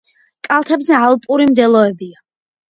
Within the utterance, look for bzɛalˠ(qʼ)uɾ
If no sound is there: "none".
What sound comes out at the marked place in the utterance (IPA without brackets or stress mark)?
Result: pʼ